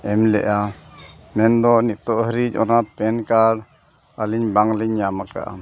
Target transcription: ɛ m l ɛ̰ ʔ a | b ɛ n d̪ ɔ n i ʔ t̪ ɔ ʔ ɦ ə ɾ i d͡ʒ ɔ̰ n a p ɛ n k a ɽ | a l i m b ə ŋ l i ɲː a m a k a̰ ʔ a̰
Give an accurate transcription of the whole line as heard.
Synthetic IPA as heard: ɛ m l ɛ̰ ʔ a | m ɛ n d̪ ɔ n i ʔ t̪ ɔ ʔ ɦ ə ɾ i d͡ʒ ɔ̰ n a p ɛ n k a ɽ | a l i ɲ b a ŋ l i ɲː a m a k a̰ ʔ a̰

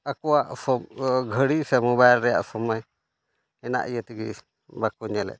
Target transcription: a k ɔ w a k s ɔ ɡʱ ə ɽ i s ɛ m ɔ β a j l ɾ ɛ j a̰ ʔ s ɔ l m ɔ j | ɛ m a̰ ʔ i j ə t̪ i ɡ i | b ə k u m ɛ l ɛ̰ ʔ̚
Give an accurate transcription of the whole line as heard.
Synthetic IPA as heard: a k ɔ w a ʔ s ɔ ɡʱ ə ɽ i s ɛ m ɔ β a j l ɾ ɛ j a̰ ʔ s ɔ m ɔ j | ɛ n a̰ ʔ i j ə t̪ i ɡ i | b a k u ɲ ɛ l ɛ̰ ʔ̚

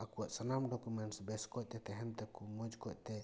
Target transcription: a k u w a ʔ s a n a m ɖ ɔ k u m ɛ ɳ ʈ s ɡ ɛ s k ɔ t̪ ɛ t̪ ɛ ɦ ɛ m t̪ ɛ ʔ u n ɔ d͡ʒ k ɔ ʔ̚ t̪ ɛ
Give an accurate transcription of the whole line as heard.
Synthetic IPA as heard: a k u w a ʔ s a n a m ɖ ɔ k u m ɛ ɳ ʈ s b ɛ s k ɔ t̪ ɛ t̪ ɛ ɦ ɛ m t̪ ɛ k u m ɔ d͡ʒ k ɔ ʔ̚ t̪ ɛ

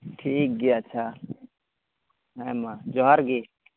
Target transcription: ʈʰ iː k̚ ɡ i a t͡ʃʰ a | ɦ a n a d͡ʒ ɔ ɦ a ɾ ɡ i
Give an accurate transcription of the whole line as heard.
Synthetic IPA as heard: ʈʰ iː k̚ ɡ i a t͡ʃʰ a | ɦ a m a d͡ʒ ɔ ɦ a ɾ ɡ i

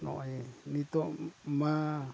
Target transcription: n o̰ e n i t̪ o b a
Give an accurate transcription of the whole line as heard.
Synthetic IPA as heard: n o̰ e n i t̪ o m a

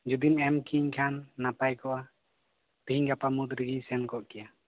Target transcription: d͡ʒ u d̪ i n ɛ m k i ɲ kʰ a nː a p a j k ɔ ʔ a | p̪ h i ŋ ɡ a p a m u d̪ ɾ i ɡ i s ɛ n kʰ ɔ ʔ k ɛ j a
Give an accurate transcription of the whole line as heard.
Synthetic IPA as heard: d͡ʒ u d̪ i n ɛ m k i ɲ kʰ a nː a p a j k ɔ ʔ a | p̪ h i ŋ ɡ a p a m u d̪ ɾ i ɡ i s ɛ n k ɔ ʔ k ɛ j a

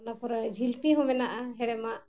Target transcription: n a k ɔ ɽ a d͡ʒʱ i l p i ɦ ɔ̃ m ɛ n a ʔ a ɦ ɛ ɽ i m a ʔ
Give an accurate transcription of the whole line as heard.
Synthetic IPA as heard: n a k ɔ ɾ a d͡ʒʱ i l p i ɦ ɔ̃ m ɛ n a ʔ a ɦ ɛ ɽ ɛ m a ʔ

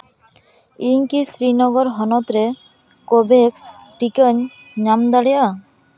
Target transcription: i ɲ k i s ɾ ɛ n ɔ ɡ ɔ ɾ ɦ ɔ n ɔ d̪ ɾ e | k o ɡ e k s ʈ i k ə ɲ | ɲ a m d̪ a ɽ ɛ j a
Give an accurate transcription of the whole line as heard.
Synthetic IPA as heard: i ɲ k i s ɾ i n ɔ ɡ ɔ ɾ ɦ ɔ n ɔ t̪ ɾ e | k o b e k s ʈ i k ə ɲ | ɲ a m d̪ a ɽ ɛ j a

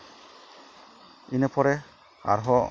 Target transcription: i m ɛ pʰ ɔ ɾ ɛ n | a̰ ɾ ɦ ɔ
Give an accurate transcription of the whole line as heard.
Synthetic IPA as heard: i n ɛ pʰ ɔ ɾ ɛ | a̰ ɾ ɦ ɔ

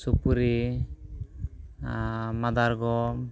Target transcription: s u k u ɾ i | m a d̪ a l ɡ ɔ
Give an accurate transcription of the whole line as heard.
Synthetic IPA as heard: s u p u ɾ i | m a d̪ a ɾ ɡ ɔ

